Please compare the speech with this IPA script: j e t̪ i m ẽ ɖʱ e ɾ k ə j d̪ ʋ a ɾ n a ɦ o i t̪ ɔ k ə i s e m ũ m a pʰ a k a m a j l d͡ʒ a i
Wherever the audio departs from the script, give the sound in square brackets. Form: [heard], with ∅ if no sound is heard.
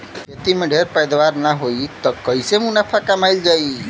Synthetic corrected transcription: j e t̪ i m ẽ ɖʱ e ɾ [p] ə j d̪ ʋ a ɾ n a ɦ o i t̪ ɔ k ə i s e m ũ [n] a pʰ a k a m a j l d͡ʒ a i